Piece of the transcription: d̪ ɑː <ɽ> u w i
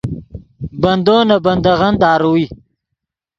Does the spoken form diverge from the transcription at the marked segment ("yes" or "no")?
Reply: yes